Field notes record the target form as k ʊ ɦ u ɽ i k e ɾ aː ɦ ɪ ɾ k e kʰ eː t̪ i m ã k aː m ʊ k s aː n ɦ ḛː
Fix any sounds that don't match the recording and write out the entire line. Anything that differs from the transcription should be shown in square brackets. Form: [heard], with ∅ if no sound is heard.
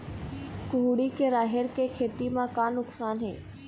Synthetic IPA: k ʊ ɦ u ɽ i k e ɾ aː ɦ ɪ ɾ k e kʰ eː t̪ i m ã k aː [n] ʊ k s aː n ɦ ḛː